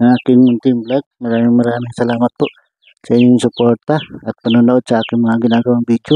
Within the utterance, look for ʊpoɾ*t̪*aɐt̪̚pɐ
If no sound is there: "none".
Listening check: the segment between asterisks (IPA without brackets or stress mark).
t̪